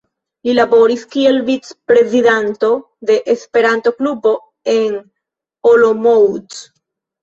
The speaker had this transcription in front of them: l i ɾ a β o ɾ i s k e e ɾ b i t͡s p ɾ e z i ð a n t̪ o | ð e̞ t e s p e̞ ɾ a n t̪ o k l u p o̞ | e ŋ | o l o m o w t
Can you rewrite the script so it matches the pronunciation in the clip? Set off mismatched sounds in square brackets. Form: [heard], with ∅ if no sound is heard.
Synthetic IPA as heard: l i [l] a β o ɾ i s k [i] e [l] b i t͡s p ɾ e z i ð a n t̪ o | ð e̞ [ʔ] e s p e̞ ɾ a n t̪ o k l u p o̞ | e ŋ | o l o m o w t